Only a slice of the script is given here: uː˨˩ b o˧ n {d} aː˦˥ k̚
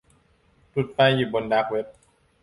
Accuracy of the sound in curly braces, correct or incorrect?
correct